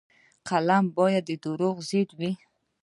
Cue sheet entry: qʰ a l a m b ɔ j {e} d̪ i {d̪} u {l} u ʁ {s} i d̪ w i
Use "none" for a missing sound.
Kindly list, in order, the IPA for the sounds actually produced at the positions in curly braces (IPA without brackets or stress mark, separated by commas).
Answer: a, d̪, ɾ, z